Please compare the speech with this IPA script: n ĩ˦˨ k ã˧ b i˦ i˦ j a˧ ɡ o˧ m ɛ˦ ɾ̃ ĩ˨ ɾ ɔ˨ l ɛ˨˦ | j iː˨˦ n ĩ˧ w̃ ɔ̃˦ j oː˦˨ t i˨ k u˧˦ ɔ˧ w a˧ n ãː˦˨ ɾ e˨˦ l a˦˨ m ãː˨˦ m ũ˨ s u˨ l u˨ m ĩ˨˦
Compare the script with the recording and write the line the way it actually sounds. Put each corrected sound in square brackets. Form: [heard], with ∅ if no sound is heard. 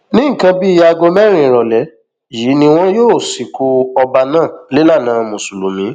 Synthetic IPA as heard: n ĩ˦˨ k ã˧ b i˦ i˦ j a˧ ɡ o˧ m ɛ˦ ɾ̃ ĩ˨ ɾ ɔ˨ l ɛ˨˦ | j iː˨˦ n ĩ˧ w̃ ɔ̃˦ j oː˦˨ [s] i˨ k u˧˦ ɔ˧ [b] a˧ n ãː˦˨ [l] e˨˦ l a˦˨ [n] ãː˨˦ m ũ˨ s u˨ l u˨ m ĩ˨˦